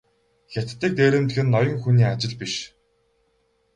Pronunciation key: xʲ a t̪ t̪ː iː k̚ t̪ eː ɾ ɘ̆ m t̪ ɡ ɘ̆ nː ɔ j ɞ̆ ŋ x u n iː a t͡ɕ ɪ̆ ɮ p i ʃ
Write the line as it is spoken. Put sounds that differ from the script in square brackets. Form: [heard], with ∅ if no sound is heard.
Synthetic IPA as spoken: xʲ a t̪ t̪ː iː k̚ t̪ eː ɾ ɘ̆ m t̪ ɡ ɘ̆ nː ɔ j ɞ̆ ŋ x u n iː a t͡ɕ ɪ̆ ɮ p i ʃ